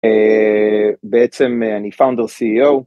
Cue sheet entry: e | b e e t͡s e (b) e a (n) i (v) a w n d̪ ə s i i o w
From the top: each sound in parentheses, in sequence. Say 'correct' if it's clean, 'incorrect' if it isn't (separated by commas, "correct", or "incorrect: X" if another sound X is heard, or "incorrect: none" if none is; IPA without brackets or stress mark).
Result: incorrect: m, correct, incorrect: f